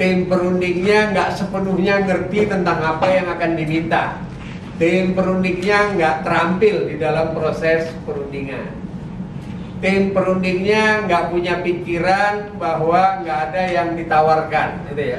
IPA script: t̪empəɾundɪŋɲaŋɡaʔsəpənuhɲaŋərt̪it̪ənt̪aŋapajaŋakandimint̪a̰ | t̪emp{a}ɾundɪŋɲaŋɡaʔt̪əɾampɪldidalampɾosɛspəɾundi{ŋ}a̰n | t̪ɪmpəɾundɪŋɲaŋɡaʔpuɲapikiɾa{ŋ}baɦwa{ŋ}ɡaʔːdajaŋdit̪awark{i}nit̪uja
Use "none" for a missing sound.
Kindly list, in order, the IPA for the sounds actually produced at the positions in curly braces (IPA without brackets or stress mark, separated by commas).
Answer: ə, ŋ, n, ŋ, a